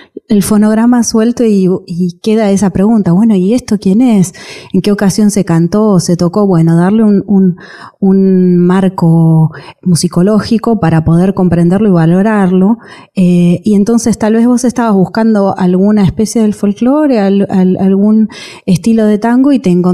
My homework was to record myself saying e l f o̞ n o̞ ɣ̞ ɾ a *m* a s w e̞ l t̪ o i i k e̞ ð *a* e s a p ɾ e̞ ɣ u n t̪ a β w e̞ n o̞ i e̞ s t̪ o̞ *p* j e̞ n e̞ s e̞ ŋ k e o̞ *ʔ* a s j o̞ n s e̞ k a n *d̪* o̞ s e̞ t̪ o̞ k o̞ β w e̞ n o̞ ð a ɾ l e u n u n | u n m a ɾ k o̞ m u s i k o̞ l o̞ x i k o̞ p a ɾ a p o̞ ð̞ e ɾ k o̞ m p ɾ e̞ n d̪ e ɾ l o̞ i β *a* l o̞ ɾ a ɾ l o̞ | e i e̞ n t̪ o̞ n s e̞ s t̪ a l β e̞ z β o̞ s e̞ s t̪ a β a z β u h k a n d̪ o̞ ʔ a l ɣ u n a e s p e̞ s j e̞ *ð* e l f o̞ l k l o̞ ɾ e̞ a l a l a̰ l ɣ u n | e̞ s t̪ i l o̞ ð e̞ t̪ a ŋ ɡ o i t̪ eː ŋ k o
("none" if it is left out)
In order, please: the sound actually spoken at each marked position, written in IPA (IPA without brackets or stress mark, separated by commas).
m, a, k, k, t̪, a, ð